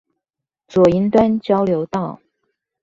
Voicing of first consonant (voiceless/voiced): voiceless